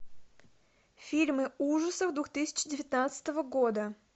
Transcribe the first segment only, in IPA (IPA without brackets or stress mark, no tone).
fʲ